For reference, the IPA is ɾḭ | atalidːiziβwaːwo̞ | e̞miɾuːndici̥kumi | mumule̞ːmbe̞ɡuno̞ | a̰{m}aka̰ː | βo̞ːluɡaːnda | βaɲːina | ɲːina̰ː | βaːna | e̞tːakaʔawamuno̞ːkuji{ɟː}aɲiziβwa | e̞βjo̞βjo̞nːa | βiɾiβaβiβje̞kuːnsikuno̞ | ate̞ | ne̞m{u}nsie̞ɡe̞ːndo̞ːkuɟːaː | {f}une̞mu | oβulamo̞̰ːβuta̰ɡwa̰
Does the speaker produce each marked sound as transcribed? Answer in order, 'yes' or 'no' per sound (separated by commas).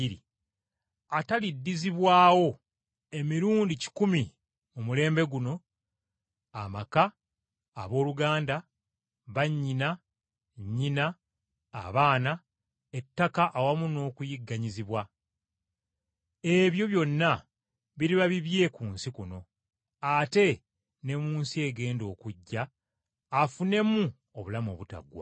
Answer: yes, no, no, yes